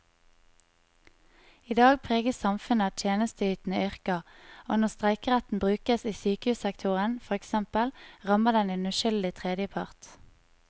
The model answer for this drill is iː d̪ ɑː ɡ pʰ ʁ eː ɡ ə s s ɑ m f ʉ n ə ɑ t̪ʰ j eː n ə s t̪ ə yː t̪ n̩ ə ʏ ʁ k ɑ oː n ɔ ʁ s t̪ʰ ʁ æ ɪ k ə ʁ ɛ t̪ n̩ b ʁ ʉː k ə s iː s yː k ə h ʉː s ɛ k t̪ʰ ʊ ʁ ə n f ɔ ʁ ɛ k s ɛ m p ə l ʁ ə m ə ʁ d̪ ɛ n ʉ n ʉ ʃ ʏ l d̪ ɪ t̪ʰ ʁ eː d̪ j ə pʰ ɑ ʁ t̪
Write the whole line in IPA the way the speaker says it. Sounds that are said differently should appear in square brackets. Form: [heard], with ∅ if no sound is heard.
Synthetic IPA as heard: iː d̪ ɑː ɡ pʰ ʁ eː ɡ ə s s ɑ m f ʉ n ə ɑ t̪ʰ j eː n ə s t̪ ə yː t̪ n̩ ə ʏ ʁ k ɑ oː n ɔ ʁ s [t̪] ʁ æ ɪ k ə ʁ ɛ t̪ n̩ b ʁ ʉː k ə s iː s yː k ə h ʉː s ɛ k t̪ʰ ʊ ʁ ə n f ɔ ʁ ɛ k s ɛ m p ə l ʁ [ɑ] m ə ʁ d̪ ɛ n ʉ n ʉ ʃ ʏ l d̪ ɪ t̪ʰ ʁ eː d̪ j ə pʰ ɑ ʁ t̪